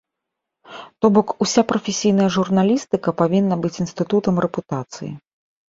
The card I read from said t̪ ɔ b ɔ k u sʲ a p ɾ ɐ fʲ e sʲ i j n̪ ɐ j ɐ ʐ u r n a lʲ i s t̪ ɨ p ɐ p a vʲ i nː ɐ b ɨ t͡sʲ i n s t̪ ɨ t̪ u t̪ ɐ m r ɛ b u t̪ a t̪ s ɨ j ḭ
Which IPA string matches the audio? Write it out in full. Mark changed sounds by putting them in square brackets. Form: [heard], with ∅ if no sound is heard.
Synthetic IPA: t̪ ɔ b ɔ k u sʲ a p ɾ ɐ fʲ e sʲ i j n̪ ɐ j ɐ ʐ u r n a lʲ i s t̪ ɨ [k] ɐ p a vʲ i nː ɐ b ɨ t͡sʲ i n s t̪ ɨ t̪ u t̪ ɐ m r ɛ [p] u t̪ a t̪ s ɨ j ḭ